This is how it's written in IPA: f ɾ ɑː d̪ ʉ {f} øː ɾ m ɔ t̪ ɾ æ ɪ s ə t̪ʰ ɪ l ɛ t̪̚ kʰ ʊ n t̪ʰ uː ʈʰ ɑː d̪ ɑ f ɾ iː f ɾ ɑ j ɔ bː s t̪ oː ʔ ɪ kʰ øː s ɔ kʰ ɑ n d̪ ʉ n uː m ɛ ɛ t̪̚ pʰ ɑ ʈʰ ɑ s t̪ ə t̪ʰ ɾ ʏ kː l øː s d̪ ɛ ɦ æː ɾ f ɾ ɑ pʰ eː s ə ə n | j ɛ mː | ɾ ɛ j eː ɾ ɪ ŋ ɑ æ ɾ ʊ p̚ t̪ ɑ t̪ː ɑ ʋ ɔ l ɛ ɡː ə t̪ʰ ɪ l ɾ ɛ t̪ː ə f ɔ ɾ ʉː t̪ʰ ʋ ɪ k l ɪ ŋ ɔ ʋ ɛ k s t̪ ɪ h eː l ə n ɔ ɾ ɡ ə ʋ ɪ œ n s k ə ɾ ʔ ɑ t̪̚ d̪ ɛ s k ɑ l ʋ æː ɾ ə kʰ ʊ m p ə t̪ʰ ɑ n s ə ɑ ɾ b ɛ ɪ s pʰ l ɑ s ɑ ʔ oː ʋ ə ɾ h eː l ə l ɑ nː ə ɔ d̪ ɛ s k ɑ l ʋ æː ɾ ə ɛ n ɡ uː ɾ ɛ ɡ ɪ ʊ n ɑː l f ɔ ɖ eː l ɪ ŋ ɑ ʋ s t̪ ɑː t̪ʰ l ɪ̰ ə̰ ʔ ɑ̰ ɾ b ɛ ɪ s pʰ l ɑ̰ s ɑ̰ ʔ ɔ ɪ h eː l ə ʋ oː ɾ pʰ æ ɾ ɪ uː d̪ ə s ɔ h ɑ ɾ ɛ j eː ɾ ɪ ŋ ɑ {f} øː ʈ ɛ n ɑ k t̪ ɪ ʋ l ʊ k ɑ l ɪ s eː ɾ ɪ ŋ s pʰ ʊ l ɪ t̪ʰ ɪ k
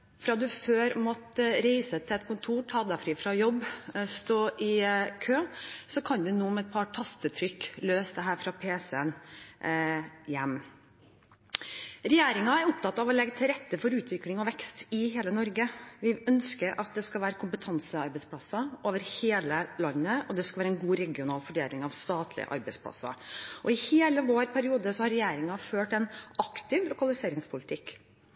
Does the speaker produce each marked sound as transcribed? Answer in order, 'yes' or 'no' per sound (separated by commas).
yes, yes